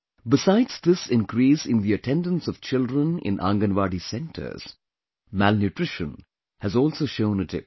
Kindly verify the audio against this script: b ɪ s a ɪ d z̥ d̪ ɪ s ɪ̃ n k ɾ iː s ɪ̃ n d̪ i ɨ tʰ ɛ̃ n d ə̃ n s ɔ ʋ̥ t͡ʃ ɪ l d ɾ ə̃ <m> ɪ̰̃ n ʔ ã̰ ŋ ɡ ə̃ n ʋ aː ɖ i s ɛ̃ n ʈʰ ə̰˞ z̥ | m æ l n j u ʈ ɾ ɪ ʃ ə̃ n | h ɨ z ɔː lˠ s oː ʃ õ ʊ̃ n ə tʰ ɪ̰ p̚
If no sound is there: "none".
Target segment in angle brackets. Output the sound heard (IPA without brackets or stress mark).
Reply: n